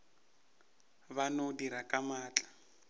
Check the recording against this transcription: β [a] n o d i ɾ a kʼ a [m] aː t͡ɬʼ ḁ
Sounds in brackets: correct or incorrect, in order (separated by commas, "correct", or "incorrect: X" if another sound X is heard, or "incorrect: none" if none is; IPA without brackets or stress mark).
correct, correct